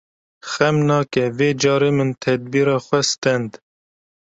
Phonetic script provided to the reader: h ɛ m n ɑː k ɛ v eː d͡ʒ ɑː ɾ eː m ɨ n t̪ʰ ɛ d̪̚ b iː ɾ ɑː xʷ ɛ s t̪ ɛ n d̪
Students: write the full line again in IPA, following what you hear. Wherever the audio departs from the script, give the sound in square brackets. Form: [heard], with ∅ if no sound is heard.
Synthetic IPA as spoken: [x] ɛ m n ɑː k ɛ v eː d͡ʒ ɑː ɾ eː m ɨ n t̪ʰ ɛ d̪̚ b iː ɾ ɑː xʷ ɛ s t̪ ɛ n d̪